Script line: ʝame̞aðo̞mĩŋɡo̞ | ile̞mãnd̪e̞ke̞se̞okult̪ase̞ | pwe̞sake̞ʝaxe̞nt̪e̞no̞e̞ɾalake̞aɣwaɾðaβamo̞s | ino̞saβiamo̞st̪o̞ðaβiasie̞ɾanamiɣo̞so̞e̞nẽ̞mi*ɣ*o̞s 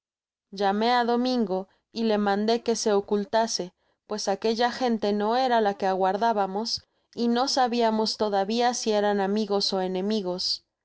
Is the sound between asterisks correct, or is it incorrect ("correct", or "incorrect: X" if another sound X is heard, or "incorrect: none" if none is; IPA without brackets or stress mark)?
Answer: correct